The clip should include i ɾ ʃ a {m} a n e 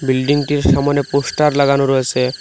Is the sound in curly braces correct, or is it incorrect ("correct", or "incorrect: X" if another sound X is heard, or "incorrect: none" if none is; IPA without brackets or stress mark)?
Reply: correct